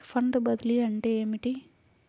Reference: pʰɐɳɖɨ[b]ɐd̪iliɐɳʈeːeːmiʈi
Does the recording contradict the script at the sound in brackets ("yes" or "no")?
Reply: no